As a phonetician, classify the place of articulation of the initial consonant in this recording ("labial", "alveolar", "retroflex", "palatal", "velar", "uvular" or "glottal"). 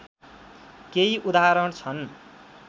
velar